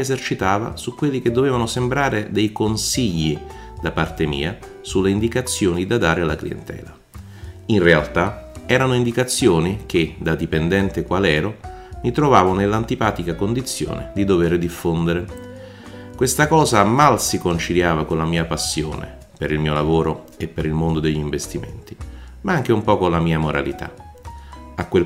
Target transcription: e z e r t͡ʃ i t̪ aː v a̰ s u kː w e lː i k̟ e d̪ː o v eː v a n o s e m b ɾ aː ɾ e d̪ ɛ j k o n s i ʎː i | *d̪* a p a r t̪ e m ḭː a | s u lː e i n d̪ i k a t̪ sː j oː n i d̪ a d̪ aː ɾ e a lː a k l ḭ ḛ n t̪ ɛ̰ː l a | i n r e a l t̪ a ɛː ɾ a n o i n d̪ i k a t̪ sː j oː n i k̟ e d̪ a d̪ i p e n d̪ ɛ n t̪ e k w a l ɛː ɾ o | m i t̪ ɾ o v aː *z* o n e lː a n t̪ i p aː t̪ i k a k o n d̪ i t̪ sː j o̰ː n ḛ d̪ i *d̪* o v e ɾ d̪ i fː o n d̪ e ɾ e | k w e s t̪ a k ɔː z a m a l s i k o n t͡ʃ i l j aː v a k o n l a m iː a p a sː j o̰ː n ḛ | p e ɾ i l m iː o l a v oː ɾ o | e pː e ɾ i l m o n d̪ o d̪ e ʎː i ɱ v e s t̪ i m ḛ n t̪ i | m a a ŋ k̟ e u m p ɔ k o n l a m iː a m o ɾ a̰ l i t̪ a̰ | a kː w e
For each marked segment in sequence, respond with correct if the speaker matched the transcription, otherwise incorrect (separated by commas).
correct, incorrect, correct